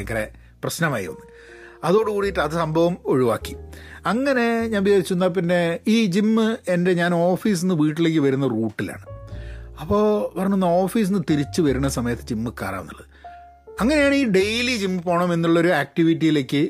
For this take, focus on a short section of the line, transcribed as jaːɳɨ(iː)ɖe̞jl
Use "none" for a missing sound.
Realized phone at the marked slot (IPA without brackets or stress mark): iː